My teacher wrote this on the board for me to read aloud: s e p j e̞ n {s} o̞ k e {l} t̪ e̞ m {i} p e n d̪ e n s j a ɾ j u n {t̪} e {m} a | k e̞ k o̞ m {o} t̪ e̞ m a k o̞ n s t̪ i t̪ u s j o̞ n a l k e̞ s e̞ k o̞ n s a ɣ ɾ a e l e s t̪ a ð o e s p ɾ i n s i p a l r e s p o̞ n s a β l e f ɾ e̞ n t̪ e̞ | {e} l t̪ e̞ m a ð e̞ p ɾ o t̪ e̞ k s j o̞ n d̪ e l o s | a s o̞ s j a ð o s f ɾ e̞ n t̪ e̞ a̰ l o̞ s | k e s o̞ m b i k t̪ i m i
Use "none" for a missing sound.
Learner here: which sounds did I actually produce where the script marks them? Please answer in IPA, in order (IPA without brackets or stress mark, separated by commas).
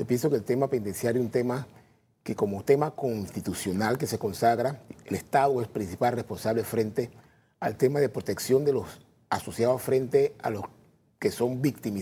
s, l, a, t̪, m, o, a